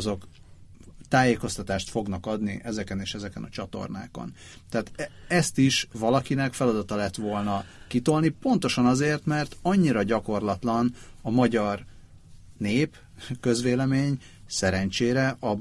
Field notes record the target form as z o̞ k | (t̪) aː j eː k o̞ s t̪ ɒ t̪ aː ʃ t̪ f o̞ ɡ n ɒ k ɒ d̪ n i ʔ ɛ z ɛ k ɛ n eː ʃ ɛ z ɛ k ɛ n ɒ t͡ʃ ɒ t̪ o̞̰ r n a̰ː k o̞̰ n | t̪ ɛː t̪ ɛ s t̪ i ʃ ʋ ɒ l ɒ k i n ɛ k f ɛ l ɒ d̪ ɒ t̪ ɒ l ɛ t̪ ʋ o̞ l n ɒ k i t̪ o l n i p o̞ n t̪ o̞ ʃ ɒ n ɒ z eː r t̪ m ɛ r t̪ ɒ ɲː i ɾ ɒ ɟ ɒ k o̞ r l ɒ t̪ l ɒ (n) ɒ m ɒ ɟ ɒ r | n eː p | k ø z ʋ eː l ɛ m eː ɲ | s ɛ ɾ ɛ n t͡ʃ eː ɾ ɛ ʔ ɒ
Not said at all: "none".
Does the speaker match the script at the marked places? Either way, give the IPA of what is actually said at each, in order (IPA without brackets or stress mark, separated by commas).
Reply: t̪, n